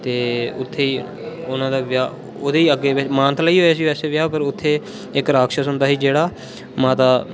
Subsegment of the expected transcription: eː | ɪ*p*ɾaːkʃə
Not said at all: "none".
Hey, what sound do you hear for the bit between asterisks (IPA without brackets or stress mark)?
k